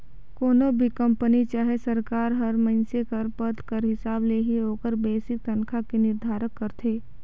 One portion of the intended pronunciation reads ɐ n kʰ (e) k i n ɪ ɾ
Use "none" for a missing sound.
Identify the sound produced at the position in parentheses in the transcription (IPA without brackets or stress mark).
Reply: a